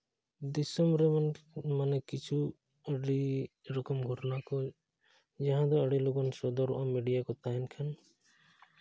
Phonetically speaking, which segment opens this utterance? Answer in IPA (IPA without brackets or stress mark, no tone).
d̪